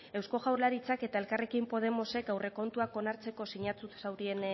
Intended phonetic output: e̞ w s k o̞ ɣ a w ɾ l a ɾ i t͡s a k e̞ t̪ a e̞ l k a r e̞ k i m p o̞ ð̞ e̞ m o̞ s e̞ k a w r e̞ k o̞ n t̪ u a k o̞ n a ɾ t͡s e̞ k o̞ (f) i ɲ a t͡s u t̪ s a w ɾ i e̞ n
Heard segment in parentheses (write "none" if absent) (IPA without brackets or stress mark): s